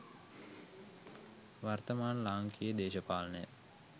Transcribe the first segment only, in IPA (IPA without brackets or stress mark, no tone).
ʋ